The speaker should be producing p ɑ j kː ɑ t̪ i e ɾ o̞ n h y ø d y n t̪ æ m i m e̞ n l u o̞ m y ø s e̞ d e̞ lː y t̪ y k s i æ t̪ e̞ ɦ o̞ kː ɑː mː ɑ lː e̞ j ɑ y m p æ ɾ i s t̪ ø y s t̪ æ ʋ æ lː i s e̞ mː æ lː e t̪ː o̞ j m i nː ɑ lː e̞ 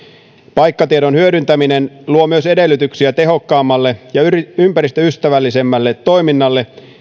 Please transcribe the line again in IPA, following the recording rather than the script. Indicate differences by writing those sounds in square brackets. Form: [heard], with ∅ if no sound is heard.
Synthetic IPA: p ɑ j kː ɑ t̪ i e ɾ o̞ n h y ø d y n t̪ æ m i [n] e̞ n l u o̞ m y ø s e̞ d e̞ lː y t̪ y k s i æ t̪ e̞ ɦ o̞ kː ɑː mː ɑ lː e̞ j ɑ y m p æ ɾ i s t̪ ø y s t̪ æ ʋ æ lː i s e̞ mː æ lː e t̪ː o̞ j m i nː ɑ lː e̞